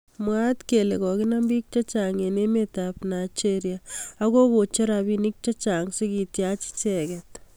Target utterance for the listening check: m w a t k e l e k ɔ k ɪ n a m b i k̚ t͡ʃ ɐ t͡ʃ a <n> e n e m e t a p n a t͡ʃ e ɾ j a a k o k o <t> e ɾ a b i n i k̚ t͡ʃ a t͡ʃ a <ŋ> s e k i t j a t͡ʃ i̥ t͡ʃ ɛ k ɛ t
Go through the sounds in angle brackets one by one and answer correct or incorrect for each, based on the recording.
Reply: incorrect, incorrect, correct

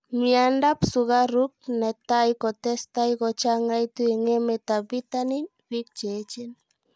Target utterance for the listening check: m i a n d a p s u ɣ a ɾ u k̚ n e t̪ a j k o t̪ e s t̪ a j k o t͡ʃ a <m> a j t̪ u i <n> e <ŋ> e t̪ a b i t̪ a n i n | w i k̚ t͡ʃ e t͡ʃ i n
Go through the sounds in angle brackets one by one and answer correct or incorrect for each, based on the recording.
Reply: incorrect, incorrect, incorrect

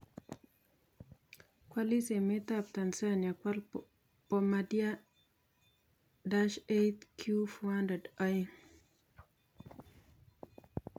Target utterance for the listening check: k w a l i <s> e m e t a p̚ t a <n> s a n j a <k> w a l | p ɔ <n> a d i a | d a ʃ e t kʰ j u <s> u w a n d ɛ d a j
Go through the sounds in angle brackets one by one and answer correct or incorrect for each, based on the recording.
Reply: correct, correct, correct, incorrect, incorrect

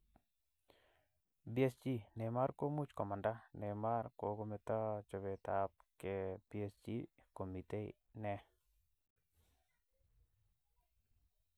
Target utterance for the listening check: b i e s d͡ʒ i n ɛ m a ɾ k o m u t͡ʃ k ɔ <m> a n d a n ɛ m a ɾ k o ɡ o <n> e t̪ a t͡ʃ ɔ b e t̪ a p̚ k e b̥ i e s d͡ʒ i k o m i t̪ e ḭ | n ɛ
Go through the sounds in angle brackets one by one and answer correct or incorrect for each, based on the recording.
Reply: correct, incorrect

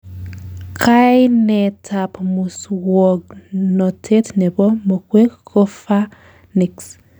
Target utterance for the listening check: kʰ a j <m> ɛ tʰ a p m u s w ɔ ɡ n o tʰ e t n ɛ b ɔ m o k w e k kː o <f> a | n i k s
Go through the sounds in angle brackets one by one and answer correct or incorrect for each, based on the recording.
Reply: incorrect, correct

